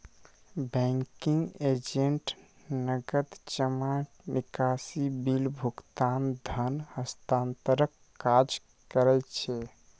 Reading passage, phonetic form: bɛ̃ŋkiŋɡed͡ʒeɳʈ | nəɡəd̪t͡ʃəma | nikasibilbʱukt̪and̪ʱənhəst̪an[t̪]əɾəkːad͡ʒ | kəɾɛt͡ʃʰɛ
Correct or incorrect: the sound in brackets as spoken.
correct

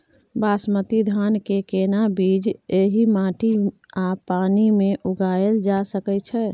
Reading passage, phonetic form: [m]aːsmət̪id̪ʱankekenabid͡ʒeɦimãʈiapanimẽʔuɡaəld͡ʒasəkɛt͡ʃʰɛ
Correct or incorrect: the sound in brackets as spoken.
incorrect: b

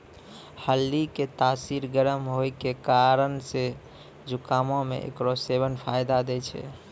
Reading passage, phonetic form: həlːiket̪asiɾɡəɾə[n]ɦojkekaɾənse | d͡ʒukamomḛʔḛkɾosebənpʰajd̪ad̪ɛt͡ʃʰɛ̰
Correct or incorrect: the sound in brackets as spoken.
incorrect: m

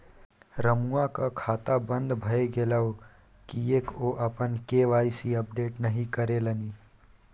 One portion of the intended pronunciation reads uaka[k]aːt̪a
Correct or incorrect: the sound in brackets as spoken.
incorrect: kʰ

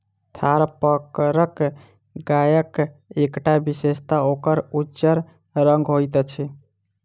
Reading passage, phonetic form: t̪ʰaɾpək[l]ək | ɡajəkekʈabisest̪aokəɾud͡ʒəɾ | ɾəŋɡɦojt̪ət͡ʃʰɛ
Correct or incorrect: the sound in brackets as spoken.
incorrect: ɾ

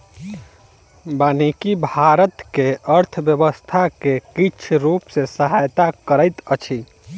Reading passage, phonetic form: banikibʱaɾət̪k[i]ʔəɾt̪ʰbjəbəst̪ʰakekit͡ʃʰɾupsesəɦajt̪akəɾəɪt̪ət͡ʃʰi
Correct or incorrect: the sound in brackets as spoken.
incorrect: e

